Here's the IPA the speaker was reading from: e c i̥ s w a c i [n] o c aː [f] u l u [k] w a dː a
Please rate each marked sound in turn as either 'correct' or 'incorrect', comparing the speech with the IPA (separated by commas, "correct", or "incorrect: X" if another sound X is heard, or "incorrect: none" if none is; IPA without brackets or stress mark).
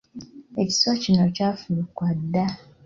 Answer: correct, correct, correct